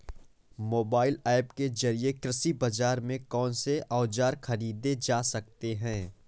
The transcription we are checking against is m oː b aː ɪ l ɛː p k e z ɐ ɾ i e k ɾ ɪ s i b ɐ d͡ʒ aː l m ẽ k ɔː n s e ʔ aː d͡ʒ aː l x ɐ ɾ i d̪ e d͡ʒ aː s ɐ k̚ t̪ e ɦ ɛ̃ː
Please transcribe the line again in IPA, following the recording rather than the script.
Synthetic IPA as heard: m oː b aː ɪ l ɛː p k e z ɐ ɾ i e k ɾ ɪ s i b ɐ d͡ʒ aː ɾ m ẽ k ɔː n s e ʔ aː d͡ʒ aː ɾ x ɐ ɾ iː d̪ e d͡ʒ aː s ɐ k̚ t̪ e ɦ ɛ̃ː